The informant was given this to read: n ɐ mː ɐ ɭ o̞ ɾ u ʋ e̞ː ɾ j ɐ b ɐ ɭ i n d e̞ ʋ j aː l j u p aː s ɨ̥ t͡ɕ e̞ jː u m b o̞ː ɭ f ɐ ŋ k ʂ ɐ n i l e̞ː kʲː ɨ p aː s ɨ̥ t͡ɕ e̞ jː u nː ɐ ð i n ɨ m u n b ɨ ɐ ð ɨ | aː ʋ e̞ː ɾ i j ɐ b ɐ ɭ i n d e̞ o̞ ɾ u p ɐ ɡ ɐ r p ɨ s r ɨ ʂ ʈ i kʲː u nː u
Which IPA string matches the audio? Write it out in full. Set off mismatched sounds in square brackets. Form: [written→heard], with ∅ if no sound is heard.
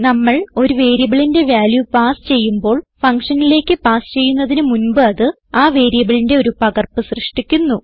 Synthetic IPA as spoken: n ɐ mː ɐ ɭ o̞ ɾ u ʋ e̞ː ɾ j ɐ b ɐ ɭ i n d e̞ ʋ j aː l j u p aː s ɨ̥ t͡ɕ e̞ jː u m b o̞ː ɭ f ɐ ŋ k ʂ ɐ n i l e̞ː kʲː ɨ p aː s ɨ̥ t͡ɕ e̞ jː u nː ɐ ð i n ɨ m u n b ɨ ɐ ð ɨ | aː ʋ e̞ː ɾ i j ɐ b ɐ ɭ i n d e̞ o̞ ɾ u p ɐ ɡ ɐ r p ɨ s r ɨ ʂ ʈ i kʲː u nː u